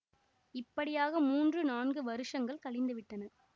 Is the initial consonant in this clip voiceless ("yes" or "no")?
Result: yes